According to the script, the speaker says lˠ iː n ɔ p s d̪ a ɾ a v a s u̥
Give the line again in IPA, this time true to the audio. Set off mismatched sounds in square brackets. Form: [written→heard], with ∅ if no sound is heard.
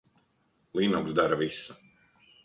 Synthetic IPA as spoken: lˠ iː n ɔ [p→k] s d̪ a ɾ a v [a→i] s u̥